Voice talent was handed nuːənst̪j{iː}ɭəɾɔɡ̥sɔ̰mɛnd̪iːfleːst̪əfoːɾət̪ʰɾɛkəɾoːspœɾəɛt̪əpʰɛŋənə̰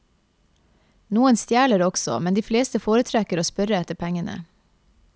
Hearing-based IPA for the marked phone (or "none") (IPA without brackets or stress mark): æː